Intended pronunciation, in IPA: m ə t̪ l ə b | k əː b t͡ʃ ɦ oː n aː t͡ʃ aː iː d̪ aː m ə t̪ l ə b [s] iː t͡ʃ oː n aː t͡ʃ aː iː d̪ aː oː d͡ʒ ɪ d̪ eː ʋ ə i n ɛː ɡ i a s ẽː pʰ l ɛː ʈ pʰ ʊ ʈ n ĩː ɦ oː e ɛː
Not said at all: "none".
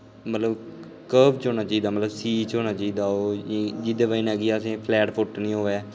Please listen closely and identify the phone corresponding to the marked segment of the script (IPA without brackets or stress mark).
s